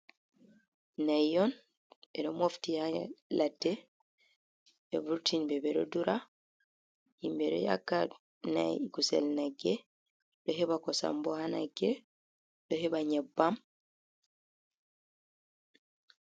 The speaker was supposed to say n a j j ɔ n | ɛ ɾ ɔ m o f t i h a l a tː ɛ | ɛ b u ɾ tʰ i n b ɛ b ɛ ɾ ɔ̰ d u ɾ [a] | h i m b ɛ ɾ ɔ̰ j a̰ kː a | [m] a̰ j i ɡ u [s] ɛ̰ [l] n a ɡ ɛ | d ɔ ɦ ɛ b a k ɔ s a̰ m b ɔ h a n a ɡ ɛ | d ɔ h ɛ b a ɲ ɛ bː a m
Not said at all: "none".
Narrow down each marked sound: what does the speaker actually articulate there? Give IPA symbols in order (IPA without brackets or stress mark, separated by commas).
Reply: a, n, s, l